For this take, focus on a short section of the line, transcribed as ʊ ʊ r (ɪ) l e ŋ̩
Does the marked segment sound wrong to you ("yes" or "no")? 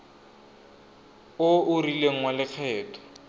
yes